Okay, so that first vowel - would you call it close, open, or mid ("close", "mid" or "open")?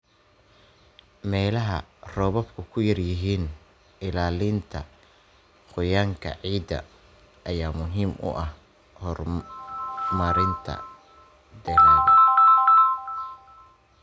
mid